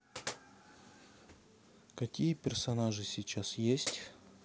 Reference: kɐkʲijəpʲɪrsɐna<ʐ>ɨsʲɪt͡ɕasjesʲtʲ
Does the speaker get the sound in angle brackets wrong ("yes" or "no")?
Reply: no